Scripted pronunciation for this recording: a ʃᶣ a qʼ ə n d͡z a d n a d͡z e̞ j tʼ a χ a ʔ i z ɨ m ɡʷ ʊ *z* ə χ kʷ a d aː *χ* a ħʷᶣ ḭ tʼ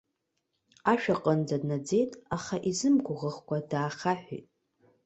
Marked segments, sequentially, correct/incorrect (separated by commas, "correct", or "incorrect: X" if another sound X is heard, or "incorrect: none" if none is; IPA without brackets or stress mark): incorrect: ʁ, correct